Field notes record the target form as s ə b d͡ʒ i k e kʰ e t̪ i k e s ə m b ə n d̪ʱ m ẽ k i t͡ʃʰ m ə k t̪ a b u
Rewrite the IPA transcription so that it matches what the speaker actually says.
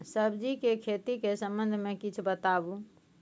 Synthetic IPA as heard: s ə b d͡ʒ i k e kʰ e t̪ i k e s ə m b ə n d̪ʱ m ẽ k i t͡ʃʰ b ə t̪ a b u